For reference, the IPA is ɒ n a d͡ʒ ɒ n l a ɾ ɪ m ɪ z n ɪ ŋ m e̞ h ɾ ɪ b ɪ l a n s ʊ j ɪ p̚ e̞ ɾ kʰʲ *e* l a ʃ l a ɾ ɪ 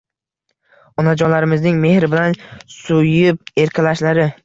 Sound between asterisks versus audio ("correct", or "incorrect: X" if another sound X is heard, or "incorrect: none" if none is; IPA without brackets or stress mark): incorrect: a